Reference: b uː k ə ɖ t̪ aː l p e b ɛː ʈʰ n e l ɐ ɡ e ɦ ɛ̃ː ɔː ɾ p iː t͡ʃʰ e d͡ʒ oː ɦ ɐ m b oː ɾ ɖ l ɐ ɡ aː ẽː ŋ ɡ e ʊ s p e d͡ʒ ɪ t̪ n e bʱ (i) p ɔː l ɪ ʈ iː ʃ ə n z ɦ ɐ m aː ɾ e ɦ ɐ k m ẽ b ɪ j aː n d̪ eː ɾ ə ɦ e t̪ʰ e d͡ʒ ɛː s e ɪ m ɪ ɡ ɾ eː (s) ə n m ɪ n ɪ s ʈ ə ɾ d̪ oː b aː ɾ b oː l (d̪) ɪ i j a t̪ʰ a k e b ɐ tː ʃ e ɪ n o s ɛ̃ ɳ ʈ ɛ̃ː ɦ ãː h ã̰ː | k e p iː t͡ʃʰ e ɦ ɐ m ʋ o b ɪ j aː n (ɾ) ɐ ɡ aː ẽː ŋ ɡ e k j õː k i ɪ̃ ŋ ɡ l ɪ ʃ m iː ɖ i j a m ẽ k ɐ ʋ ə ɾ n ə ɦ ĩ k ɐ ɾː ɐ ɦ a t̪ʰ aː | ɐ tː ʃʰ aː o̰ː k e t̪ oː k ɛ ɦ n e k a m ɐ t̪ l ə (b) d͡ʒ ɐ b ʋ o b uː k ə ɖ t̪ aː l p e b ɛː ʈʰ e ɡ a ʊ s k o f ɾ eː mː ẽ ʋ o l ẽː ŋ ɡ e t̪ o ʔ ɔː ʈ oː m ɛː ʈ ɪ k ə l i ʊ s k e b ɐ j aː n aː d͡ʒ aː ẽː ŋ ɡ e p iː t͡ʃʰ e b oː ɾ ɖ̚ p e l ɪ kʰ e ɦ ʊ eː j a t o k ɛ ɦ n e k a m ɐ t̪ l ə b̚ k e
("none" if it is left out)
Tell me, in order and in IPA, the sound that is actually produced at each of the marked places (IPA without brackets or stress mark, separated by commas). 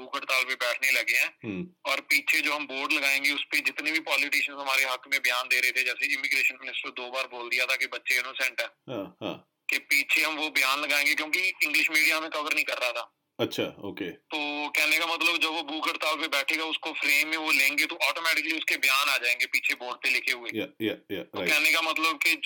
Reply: i, ʃ, d̪, l, b